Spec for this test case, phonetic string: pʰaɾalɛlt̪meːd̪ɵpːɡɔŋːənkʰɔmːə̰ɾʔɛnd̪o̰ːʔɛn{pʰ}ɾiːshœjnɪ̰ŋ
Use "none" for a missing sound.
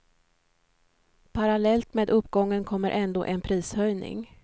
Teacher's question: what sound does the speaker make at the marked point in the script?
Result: pʰ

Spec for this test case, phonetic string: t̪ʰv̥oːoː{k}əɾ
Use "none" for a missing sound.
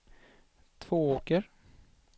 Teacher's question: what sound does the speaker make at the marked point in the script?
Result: k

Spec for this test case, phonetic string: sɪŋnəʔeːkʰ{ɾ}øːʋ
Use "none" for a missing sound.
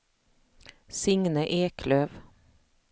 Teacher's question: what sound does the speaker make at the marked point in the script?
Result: l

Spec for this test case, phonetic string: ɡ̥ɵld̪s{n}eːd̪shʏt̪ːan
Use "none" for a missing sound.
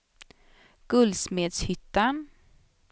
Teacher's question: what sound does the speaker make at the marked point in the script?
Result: m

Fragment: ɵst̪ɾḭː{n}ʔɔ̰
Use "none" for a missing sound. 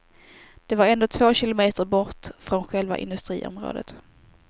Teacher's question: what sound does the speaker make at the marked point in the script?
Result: none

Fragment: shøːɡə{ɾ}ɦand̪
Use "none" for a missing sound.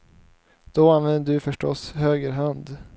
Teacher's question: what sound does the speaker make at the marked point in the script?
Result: ɾ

